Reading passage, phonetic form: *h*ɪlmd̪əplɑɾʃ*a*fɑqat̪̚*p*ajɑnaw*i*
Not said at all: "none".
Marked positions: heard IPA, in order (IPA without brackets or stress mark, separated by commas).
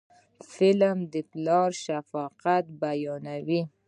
f, a, b, i